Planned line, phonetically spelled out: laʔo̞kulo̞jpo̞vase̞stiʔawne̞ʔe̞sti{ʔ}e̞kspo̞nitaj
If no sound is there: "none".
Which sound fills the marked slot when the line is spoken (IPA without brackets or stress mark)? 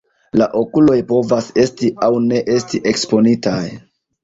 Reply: ʔ